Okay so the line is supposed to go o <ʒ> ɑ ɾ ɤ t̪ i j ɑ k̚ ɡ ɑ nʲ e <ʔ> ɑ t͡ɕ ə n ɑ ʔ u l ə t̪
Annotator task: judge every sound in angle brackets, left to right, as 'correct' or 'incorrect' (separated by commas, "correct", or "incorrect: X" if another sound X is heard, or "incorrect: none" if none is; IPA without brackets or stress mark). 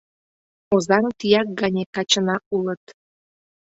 incorrect: z, incorrect: k